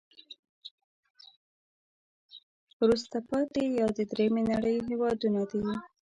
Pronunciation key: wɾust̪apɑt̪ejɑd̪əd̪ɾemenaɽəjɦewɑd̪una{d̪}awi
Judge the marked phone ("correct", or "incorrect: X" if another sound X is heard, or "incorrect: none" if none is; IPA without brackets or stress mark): correct